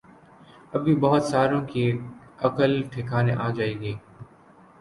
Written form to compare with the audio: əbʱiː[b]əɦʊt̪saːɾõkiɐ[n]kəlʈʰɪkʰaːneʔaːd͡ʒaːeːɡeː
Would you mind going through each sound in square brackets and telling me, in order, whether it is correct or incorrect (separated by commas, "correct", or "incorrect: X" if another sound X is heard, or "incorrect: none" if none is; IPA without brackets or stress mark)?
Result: correct, incorrect: none